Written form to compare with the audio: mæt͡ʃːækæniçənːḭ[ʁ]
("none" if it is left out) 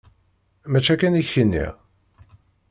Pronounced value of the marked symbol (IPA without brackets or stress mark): ʁ